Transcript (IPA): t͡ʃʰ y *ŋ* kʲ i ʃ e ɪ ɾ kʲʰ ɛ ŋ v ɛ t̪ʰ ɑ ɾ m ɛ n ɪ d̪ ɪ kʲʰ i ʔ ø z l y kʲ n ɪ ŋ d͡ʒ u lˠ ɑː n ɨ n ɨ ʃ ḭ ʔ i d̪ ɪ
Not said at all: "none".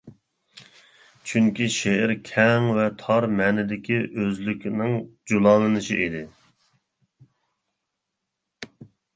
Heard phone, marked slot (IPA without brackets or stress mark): ŋ